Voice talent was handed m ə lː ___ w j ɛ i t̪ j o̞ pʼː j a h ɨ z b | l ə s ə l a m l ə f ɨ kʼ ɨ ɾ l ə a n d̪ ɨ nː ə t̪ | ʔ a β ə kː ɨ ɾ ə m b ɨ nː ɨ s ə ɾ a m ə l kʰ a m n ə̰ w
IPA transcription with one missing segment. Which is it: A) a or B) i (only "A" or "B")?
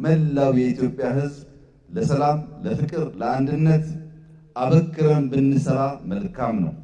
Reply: A